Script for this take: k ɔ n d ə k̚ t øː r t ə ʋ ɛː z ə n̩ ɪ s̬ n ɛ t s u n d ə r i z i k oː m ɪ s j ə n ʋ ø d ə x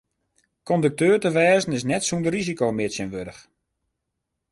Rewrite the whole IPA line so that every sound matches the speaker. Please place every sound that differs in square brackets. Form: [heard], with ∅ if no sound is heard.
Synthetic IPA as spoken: k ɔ n d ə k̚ t øː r t ə ʋ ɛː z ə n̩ ɪ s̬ n ɛ t s u n d ə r i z i k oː m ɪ s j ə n ʋ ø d ə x